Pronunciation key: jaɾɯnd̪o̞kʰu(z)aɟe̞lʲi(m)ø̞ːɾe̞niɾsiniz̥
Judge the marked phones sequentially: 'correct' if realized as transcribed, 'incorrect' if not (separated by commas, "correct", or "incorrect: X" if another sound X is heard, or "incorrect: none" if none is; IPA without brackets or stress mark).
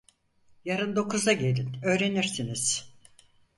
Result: correct, incorrect: n